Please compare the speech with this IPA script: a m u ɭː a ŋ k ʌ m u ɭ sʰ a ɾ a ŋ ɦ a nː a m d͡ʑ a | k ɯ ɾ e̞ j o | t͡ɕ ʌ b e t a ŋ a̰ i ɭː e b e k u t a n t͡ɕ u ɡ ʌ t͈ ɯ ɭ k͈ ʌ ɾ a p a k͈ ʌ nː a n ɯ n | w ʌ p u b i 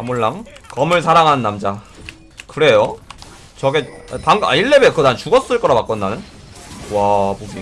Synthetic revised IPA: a m u ɭː a ŋ k ʌ m ɯ ɭ sʰ a ɾ a ŋ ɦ a nː a m d͡ʑ a | k ɯ ɾ e̞ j o | t͡ɕ ʌ ɡ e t a ŋ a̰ i ɭː e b e k ɯ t a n t͡ɕ u ɡ ʌ s͈ ɯ ɭ k͈ ʌ ɾ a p a k͈ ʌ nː a n ɯ n | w a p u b i